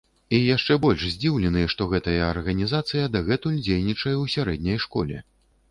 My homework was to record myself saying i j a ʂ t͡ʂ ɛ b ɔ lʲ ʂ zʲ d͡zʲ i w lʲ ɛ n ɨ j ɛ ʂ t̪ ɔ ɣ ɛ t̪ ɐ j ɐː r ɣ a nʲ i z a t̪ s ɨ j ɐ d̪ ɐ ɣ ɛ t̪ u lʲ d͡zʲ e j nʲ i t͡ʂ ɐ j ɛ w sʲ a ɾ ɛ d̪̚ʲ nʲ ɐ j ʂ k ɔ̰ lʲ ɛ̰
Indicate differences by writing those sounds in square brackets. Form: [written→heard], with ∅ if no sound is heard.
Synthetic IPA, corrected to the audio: i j a ʂ t͡ʂ ɛ b ɔ lʲ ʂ zʲ d͡zʲ i w lʲ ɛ n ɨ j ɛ ʂ t̪ ɔ ɣ ɛ t̪ ɐ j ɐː r ɣ [a→ɐ] nʲ i z a t̪ s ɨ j ɐ d̪ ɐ ɣ ɛ t̪ u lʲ d͡zʲ e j nʲ i t͡ʂ ɐ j ɛ w sʲ a ɾ ɛ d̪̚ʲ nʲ ɐ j ʂ k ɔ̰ lʲ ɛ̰